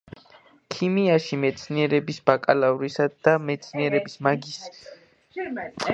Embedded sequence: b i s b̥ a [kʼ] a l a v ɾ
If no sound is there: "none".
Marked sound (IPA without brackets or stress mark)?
kʼ